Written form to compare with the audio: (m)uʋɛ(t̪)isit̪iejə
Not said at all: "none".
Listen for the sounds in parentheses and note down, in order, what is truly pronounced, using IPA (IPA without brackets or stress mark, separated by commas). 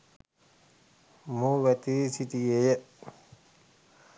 m, t̪